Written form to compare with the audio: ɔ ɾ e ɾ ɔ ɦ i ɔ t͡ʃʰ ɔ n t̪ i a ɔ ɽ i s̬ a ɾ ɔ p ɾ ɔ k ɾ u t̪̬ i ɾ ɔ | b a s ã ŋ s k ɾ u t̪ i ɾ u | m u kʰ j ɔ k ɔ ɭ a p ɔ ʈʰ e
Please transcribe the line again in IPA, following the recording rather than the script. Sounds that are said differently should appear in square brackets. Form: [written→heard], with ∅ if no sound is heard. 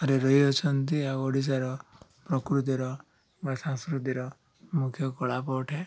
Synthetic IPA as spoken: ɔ ɾ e ɾ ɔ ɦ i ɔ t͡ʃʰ ɔ n t̪ i a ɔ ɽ i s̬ a ɾ ɔ p ɾ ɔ k ɾ u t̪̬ i ɾ ɔ | b a s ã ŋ s k ɾ u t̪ i ɾ [u→ɔ] | m u kʰ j ɔ k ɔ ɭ a p ɔ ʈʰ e